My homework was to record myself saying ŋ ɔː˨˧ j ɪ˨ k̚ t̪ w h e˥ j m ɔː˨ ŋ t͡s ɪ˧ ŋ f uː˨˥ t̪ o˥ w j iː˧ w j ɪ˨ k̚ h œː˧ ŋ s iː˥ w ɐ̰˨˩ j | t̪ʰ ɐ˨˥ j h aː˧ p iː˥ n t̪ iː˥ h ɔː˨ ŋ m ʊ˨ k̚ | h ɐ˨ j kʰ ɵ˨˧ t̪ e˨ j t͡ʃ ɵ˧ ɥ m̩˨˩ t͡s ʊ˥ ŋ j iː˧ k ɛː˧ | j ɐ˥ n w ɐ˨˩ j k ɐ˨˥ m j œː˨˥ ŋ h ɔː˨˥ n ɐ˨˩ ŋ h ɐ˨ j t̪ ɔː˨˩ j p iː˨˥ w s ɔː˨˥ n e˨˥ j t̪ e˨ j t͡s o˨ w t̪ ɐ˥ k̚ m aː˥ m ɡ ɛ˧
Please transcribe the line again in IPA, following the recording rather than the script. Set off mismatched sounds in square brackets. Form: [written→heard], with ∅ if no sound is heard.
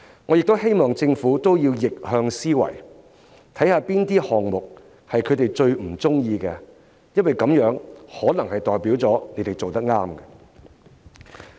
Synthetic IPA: ŋ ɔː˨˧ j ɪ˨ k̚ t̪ w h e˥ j m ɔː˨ ŋ t͡s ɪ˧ ŋ f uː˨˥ t̪ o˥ w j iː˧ w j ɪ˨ k̚ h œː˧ ŋ s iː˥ w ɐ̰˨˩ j | t̪ʰ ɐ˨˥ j h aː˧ p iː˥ n t̪ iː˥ h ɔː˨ ŋ m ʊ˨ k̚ | h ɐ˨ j kʰ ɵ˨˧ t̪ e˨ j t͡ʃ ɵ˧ ɥ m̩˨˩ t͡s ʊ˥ ŋ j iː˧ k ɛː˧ | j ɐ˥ n w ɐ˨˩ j k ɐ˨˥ m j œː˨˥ ŋ h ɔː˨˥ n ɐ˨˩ ŋ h ɐ˨ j t̪ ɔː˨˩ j p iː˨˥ w [s→t͡s] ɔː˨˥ n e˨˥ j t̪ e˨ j t͡s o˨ w t̪ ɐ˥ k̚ [m→ŋ] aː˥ m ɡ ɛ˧